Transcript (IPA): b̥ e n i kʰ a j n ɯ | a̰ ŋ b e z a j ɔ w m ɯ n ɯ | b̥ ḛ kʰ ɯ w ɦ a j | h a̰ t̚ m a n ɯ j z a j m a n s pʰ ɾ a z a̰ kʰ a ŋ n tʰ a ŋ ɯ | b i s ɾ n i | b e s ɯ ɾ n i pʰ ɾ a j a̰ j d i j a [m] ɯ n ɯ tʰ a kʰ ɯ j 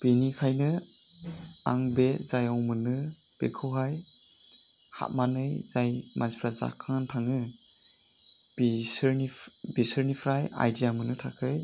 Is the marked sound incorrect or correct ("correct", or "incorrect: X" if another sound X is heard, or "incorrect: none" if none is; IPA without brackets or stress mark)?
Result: correct